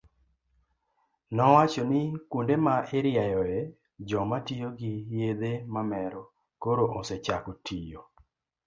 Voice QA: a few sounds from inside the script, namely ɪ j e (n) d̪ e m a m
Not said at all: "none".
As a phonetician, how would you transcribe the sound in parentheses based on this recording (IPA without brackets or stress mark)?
none